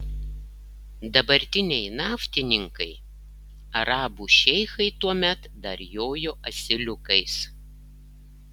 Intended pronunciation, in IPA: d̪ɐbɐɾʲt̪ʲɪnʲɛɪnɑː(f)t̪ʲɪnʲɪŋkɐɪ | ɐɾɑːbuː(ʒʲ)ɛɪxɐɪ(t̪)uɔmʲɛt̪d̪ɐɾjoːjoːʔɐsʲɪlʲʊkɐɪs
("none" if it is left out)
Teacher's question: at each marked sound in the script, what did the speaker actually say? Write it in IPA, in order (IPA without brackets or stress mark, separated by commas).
f, ʃʲ, t̪